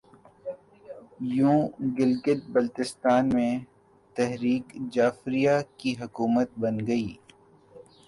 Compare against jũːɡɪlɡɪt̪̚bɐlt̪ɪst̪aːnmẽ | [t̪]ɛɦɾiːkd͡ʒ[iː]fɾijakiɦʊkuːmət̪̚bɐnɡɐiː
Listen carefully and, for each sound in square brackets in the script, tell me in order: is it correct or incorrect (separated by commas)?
correct, incorrect